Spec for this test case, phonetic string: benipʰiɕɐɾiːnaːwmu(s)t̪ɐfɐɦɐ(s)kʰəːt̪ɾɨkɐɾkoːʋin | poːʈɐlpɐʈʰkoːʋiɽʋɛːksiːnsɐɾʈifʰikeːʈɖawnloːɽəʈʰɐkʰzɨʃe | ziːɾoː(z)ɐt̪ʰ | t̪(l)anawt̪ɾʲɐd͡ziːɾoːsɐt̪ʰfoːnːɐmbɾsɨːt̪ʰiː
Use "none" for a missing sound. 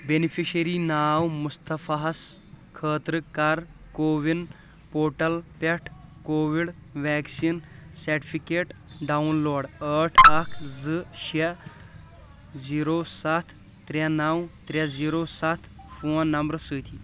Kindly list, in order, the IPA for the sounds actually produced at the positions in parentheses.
s, s, s, ɾ

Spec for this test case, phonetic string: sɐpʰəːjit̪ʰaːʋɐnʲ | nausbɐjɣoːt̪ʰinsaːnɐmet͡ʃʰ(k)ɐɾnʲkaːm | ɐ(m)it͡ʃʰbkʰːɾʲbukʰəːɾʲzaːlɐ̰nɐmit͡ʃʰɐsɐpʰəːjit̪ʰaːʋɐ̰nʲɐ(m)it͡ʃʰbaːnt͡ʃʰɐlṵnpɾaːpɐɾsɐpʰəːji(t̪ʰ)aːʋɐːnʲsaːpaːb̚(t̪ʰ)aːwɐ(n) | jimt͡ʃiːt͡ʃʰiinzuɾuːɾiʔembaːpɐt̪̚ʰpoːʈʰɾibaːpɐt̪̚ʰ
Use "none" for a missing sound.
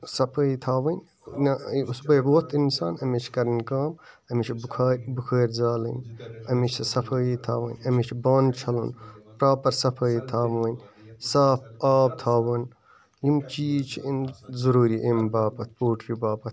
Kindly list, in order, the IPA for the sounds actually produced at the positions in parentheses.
k, m, m, t̪ʰ, t̪ʰ, n

